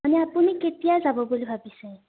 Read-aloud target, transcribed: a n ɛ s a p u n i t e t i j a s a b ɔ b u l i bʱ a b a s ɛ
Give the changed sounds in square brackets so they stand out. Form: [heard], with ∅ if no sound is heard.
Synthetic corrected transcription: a n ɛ [∅] a p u n i [k] e t i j a [z] a b ɔ b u l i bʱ a b [i] s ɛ

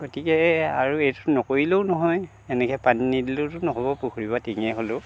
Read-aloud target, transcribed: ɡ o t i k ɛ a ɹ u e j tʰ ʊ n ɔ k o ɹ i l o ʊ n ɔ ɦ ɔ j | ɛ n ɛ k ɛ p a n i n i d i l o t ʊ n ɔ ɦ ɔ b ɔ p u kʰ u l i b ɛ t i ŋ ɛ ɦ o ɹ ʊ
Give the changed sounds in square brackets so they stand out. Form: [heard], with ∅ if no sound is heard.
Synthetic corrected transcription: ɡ o t i k ɛ a ɹ u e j [t] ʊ n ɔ k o ɹ i l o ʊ n ɔ ɦ ɔ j | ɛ n ɛ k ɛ p a n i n i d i l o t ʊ n ɔ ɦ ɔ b ɔ p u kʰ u [ɹ] i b [a] t i ŋ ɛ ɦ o [l] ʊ

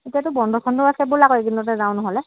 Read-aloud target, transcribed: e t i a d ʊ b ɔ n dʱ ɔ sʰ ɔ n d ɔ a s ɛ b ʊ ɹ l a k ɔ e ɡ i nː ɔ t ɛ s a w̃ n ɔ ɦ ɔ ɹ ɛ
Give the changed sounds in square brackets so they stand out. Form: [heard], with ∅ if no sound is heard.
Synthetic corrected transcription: e t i a [t] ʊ b ɔ n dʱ ɔ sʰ ɔ n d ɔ a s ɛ b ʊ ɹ l a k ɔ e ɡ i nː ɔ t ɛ [z] a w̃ n ɔ ɦ ɔ [l] ɛ

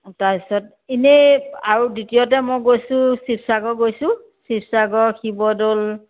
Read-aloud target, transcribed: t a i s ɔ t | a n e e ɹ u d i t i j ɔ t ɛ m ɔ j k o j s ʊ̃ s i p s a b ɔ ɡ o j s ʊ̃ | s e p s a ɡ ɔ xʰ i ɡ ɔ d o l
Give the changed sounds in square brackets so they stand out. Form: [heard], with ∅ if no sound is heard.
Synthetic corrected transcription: t a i s ɔ t | [i] n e [a] ɹ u d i t i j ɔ t ɛ m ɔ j [ɡ] o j s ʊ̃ s i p s a [ɡ] ɔ ɡ o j s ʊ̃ | s [i] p s a ɡ ɔ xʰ i [b] ɔ d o l

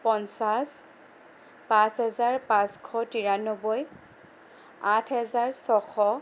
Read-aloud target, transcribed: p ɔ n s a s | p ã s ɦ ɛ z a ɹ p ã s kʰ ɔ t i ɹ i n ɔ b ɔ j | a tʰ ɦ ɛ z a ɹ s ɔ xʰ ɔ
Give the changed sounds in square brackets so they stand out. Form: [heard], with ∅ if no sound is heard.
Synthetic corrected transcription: p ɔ n s a s | p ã s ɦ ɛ z a ɹ p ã s kʰ ɔ t i ɹ [a] n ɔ b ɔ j | a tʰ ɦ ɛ z a ɹ s ɔ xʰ ɔ

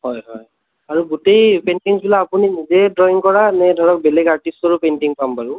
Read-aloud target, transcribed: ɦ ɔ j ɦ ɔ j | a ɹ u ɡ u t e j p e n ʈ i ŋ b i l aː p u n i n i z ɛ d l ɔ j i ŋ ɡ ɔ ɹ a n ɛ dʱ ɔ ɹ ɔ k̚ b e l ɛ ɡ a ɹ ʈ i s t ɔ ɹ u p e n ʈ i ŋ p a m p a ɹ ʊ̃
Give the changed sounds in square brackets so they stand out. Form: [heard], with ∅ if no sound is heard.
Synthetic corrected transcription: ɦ ɔ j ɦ ɔ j | a ɹ u ɡ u t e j p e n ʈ i ŋ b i l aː p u n i n i z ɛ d [ɹ] ɔ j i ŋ [k] ɔ ɹ a n ɛ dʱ ɔ ɹ ɔ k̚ b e l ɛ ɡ a ɹ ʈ i s t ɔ ɹ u p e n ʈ i ŋ p a m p a ɹ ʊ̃

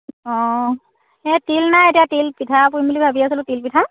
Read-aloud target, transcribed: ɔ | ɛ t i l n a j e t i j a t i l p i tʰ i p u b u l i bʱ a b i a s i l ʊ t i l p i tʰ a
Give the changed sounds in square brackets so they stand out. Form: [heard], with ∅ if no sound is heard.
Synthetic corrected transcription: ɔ | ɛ t i l n a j e t i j a t i l p i tʰ [a] p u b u l i bʱ a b i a s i l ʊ t i l p i tʰ a

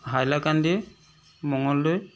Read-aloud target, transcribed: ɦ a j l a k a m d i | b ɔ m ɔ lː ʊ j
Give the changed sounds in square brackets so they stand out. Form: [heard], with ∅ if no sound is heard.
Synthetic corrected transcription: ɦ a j l a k a [n] d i | [m] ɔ [ŋ] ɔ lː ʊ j

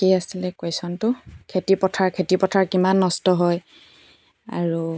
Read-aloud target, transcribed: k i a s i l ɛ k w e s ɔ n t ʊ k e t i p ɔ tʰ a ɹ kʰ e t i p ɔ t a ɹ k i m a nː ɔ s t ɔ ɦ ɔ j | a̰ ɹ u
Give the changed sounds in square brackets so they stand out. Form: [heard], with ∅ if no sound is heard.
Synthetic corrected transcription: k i a s i l ɛ k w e s ɔ n t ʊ [kʰ] e t i p ɔ tʰ a ɹ kʰ e t i p ɔ [tʰ] a ɹ k i m a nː ɔ s t ɔ ɦ ɔ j | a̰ ɹ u

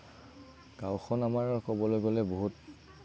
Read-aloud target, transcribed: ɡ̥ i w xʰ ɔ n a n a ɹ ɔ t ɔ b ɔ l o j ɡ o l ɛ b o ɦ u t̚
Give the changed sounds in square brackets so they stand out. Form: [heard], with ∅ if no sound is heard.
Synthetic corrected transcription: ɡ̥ [a] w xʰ ɔ n a [m] a ɹ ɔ [k] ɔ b ɔ l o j ɡ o l ɛ b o ɦ u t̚

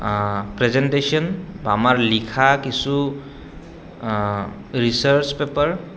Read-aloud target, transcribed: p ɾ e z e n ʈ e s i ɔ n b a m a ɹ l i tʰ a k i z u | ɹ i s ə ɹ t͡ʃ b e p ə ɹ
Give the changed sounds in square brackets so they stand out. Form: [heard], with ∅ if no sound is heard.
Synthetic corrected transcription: p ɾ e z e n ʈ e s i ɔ n b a m a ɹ l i [kʰ] a k i [s] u | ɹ i s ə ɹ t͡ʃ [p] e p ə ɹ

